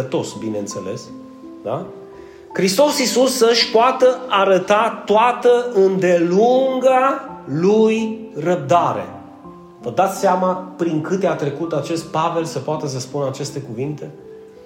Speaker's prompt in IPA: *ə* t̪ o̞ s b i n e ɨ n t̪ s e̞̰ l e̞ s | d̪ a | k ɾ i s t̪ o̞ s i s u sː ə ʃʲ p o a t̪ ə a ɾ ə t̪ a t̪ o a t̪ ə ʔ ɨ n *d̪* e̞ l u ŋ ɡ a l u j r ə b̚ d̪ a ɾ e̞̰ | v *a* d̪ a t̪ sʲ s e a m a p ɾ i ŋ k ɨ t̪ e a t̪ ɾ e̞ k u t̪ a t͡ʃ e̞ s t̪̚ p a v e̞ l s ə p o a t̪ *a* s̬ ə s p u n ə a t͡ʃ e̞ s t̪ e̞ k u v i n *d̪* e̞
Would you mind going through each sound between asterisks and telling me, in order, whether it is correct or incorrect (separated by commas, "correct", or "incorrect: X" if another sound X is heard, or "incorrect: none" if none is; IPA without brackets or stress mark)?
correct, correct, incorrect: ə, incorrect: ə, incorrect: t̪